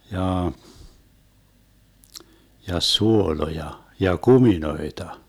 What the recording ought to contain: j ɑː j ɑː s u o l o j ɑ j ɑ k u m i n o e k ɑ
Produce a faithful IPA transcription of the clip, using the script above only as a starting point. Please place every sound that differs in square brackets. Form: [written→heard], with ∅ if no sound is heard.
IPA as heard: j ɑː j [ɑː→ɑ] s u o l o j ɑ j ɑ k u m i n o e [k→t] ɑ

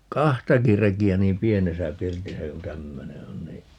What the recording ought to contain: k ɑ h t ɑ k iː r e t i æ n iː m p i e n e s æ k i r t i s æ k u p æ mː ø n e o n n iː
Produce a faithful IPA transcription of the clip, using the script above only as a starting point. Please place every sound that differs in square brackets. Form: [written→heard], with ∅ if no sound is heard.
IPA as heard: k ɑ h t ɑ k [iː→i] r e [t→k] i æ n iː m p i e n e s æ [k→p] i r t i s æ k u [p→t] æ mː ø n e o n n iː

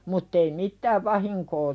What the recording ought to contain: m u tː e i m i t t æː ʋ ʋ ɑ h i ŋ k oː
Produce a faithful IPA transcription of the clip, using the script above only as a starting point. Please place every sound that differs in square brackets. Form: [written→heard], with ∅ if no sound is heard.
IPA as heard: m u tː e i m i t t æː ʋ ʋ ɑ h i ŋ k oː

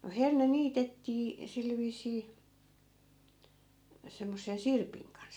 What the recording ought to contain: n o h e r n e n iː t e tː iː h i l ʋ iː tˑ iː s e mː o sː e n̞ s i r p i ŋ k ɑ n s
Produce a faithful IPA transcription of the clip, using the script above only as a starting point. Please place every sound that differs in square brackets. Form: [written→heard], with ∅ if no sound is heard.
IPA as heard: n o h e r n e n iː t e tː iː [h→s] i l ʋ iː [tˑ→sˑ] iː s e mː o sː e n̞ s i r p i ŋ k ɑ n s

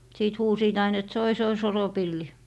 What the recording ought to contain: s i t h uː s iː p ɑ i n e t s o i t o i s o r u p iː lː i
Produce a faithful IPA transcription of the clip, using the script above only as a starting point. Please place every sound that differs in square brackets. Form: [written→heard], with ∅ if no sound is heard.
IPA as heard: s [i→iː] t h uː s iː [p→t] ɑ i n e t s o i [t→s] o i s o r [u→o] p [iː→i] lː i

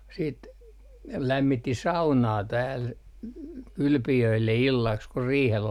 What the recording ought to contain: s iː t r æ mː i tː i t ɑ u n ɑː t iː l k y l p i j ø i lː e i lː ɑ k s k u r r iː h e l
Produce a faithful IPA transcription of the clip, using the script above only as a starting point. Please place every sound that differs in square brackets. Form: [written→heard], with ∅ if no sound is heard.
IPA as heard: s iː t [r→l] æ mː i tː i [t→s] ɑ u n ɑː t [iː→æː] l k y l p i j ø i lː e i lː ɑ k s k u r r iː h e l

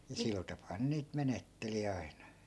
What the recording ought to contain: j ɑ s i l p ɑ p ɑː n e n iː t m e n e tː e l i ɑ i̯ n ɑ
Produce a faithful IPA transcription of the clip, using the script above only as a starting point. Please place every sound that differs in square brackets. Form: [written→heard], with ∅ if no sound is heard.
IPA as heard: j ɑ s i l [p→t] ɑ p ɑː n e n iː t m e n e tː e l i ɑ i̯ n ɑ

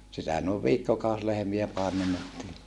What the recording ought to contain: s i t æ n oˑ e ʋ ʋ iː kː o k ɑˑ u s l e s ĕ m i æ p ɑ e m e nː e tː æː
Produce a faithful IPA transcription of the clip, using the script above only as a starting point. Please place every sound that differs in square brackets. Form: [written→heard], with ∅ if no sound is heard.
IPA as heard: s i t æ n oˑ e ʋ ʋ iː kː o k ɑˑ u s l e [s→h] ĕ m i æ p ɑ e m e nː e tː [æː→iː]

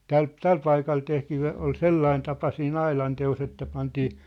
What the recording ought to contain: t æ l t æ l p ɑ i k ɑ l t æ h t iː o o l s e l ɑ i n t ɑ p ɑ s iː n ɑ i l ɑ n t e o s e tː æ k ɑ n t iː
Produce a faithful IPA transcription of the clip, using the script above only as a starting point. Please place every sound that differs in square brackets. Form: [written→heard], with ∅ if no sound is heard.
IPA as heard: t æ l t æ l p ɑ i k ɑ l t [æ→e] h t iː o o l s e [l→lː] ɑ i n t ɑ p ɑ s iː n ɑ i l ɑ n t e o s e tː æ [k→p] ɑ n t iː

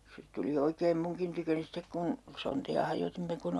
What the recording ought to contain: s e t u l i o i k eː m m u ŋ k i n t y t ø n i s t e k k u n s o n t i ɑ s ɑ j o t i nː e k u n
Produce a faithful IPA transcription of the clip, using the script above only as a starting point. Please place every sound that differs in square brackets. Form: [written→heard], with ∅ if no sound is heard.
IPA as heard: s e t u l i o i k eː m m u ŋ k i n t y [t→k] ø n i s t e k k u n s o n t i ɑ [s→h] ɑ j o t i [nː→mː] e k u n

